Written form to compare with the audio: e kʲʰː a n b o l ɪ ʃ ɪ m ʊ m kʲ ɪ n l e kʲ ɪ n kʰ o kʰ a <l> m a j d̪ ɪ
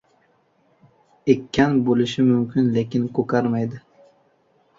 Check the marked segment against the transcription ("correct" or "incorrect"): incorrect